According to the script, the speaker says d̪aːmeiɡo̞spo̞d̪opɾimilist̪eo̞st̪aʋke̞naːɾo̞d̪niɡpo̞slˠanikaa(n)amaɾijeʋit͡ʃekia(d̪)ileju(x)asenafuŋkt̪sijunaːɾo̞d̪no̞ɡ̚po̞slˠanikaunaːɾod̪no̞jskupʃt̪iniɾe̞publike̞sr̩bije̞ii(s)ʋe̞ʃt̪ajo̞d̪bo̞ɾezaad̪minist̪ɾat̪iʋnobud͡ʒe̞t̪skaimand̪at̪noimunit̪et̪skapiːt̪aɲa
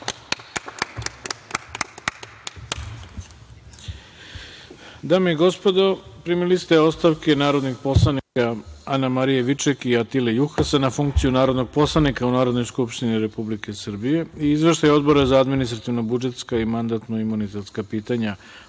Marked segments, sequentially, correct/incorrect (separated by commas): correct, incorrect, correct, incorrect